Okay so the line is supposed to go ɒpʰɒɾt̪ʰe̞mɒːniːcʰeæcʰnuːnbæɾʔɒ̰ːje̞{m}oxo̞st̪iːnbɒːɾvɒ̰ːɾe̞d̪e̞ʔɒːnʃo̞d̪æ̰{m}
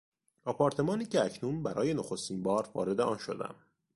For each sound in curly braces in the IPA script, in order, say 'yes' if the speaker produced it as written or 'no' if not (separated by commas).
no, yes